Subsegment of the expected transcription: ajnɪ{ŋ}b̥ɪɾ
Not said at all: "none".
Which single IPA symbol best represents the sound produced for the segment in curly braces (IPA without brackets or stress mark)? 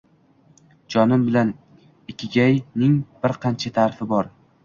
ŋ